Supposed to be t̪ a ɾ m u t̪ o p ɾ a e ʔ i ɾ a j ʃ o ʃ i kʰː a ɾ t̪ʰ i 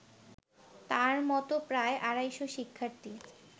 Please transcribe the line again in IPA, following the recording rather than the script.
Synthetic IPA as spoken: t̪ a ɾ m ɔ t̪ o p ɾ a e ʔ a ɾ a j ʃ o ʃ i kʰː a ɾ t̪ i